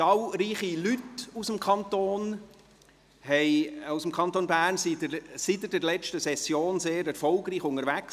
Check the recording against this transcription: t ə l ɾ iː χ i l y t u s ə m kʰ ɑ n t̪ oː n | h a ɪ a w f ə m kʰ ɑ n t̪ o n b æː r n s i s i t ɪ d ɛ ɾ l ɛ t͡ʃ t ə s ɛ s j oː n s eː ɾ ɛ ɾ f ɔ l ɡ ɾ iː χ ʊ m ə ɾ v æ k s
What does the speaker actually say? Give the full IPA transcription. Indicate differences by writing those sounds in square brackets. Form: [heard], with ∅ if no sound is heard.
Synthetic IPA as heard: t [ɑ] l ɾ iː χ i l y t u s ə m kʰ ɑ n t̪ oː n | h [ɛ] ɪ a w [s] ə m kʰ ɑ n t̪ o n b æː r n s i s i t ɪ d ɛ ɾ l ɛ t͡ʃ t ə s ɛ s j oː n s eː ɾ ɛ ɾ f ɔ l ɡ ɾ iː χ ʊ [ŋ] ə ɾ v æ k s

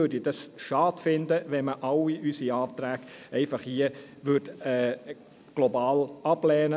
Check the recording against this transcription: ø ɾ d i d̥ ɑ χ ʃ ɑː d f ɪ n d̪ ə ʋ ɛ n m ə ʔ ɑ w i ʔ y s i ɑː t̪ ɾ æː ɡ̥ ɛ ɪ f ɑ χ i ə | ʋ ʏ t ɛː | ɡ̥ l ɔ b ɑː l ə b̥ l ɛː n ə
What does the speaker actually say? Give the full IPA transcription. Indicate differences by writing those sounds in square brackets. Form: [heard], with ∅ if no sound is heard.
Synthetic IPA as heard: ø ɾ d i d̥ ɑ [s] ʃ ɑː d f ɪ n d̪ ə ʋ ɛ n m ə ʔ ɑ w i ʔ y s i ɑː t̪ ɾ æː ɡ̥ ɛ ɪ f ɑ χ i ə | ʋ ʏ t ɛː | ɡ̥ l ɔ b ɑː l [ɑ] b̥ l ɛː n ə

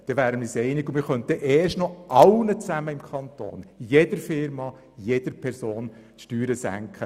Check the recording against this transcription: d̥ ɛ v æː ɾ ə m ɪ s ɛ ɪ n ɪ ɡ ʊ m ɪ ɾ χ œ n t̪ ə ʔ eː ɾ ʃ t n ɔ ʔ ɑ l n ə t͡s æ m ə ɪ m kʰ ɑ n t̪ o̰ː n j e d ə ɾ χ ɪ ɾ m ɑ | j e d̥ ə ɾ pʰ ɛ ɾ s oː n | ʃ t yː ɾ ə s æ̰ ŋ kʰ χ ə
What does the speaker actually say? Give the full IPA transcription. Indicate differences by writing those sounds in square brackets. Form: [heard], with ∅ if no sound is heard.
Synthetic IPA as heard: d̥ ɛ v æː ɾ ə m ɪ s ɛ ɪ n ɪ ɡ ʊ m ɪ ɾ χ œ n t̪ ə ʔ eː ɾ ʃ t n ɔ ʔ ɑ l n ə t͡s æ m ə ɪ m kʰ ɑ n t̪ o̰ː n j e d ə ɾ [f] ɪ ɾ m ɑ | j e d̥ ə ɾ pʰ ɛ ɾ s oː n | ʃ t yː ɾ ə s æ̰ ŋ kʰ χ ə

